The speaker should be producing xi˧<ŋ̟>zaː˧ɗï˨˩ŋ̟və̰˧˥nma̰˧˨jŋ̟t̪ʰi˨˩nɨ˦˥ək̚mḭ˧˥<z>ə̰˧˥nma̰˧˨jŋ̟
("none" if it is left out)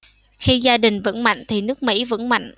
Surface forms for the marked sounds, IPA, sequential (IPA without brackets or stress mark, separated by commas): none, v